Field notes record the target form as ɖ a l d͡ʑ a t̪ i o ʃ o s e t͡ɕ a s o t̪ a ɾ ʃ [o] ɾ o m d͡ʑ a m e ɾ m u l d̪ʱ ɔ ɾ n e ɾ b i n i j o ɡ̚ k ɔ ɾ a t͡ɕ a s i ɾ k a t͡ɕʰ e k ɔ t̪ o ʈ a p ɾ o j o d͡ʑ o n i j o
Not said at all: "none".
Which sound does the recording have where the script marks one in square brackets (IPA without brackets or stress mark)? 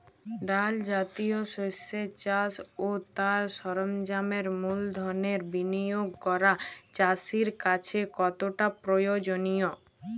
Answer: ɔ